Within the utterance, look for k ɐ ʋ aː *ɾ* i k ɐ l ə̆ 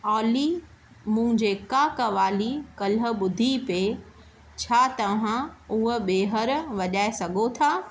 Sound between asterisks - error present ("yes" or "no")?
yes